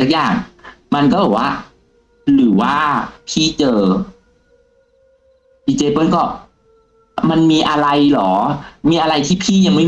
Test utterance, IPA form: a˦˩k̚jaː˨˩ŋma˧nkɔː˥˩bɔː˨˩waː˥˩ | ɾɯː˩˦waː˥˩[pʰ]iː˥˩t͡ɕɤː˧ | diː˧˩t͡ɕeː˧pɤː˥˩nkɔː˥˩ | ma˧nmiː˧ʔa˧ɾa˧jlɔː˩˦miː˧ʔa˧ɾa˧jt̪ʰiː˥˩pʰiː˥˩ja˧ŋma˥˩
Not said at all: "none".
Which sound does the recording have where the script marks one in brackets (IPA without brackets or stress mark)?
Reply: pʰ